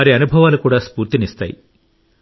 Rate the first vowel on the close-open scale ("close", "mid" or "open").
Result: open